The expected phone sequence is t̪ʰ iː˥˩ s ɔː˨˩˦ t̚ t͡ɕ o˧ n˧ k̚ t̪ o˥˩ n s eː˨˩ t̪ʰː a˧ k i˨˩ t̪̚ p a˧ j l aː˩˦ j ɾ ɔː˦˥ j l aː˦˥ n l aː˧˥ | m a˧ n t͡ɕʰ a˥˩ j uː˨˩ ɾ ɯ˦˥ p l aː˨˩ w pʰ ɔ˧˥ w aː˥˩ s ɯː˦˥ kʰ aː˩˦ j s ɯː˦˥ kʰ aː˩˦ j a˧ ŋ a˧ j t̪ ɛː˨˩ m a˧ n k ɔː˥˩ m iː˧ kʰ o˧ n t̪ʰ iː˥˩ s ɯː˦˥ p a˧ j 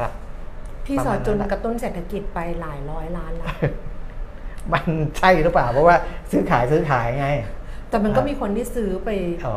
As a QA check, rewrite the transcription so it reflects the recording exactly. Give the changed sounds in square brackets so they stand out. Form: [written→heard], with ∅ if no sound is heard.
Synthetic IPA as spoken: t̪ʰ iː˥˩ s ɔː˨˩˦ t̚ t͡ɕ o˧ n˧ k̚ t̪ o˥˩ n s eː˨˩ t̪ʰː a˧ k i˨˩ t̪̚ p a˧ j l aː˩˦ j ɾ ɔː˦˥ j l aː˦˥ n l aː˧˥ | m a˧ n t͡ɕʰ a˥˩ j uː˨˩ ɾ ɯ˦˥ p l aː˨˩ w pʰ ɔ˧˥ w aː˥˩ s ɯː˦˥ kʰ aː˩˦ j s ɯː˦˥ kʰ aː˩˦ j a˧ ŋ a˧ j t̪ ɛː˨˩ m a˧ n k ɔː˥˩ m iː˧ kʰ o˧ n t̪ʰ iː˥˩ s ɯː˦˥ p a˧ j